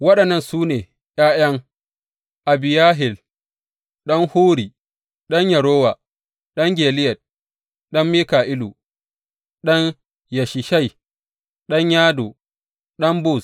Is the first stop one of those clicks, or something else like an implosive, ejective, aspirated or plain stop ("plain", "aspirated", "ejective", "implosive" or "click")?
implosive